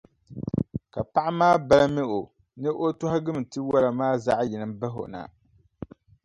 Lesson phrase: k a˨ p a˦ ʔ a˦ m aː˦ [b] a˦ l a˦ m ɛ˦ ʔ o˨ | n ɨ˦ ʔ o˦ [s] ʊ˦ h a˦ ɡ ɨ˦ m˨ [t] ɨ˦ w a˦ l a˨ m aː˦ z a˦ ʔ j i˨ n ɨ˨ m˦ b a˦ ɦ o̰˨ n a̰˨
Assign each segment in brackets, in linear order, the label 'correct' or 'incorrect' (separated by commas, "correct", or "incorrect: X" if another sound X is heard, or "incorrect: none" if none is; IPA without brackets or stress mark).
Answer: correct, incorrect: t, correct